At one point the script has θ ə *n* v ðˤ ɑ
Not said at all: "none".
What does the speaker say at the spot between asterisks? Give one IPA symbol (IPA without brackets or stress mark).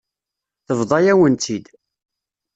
none